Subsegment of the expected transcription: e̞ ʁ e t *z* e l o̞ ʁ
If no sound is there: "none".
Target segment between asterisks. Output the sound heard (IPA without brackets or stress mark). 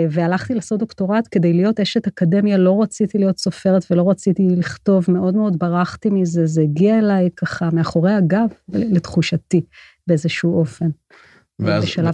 v